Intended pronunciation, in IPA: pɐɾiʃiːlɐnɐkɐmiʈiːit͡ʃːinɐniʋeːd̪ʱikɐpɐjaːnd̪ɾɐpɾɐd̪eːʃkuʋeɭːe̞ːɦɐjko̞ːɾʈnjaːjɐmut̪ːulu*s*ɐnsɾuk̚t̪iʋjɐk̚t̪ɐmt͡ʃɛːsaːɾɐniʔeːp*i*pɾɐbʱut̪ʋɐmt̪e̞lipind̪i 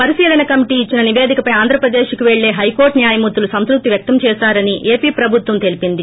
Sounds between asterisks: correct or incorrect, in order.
correct, incorrect: iː

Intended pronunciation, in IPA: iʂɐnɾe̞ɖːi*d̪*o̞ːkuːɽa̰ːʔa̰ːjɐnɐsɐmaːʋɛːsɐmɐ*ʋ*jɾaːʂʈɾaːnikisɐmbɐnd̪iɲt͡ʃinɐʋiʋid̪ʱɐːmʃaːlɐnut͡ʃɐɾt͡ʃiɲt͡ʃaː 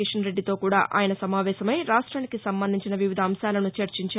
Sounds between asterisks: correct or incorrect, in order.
incorrect: t̪, incorrect: none

